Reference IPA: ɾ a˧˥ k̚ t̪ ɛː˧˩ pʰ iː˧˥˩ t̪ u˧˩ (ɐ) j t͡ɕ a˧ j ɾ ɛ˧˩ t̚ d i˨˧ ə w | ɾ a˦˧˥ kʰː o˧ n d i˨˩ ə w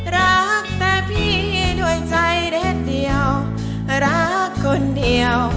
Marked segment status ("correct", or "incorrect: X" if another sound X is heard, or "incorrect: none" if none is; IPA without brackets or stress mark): incorrect: ə